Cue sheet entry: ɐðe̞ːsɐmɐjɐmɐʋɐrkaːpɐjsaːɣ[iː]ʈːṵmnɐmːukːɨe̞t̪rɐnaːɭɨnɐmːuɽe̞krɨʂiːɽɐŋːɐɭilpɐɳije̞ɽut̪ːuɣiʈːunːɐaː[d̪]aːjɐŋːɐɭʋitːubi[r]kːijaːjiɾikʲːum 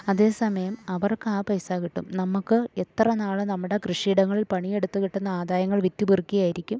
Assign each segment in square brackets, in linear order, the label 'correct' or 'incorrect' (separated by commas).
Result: incorrect, correct, correct